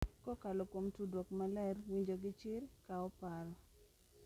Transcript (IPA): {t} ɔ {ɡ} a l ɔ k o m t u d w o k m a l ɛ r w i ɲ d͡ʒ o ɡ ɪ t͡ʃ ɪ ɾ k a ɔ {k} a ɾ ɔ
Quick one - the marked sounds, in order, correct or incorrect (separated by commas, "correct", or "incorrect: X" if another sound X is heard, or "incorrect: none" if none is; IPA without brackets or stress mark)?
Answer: incorrect: k, incorrect: k, incorrect: p